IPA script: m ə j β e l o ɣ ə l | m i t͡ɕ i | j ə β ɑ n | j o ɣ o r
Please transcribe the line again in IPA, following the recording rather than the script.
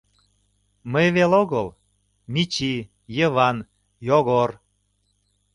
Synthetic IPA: m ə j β e l o ɣ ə l | m i t͡ɕ i | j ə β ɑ n | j o ɣ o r